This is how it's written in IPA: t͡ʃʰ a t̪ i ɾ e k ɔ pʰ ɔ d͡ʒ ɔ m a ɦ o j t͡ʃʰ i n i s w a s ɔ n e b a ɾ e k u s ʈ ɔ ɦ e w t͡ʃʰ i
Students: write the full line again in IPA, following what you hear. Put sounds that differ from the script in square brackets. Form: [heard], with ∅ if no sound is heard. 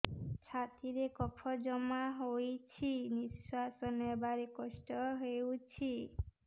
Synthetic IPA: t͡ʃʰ a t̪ i ɾ e k ɔ pʰ ɔ d͡ʒ ɔ m a ɦ o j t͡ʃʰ i n i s w a s ɔ n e b a ɾ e k [ɔ] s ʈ ɔ ɦ e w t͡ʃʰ i